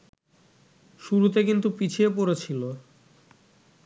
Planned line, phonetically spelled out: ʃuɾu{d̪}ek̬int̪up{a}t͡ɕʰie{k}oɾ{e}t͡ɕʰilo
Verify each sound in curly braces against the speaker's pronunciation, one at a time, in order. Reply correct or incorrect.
incorrect, incorrect, incorrect, correct

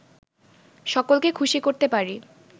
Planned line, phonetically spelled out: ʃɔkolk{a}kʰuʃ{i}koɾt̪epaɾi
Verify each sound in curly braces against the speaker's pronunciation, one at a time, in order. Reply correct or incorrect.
incorrect, correct

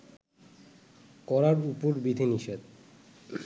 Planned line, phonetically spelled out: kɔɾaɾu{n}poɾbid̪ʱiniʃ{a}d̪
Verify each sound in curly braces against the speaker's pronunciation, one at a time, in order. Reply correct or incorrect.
incorrect, incorrect

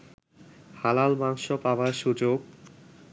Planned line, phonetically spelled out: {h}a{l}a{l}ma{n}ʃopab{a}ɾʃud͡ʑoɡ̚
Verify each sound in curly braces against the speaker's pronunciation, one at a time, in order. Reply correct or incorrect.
correct, correct, correct, incorrect, correct

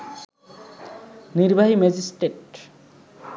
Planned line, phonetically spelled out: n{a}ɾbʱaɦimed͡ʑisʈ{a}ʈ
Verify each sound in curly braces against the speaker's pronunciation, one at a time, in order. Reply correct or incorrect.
incorrect, incorrect

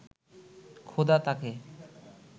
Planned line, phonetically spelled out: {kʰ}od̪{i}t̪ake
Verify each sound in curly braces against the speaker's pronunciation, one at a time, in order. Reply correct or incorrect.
correct, incorrect

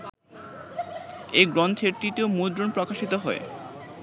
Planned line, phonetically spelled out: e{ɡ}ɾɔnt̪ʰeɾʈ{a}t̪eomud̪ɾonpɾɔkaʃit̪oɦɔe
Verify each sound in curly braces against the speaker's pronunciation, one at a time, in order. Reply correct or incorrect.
correct, incorrect

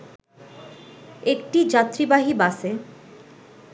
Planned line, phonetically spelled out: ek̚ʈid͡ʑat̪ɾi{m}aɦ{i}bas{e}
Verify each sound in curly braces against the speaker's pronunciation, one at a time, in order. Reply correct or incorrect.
incorrect, correct, correct

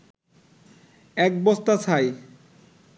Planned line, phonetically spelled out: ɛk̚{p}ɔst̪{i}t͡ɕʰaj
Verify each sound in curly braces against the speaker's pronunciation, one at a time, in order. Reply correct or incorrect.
incorrect, incorrect

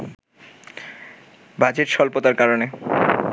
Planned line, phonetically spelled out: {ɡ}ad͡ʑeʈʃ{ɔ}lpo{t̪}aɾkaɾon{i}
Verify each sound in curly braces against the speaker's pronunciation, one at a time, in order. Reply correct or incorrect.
incorrect, correct, correct, incorrect

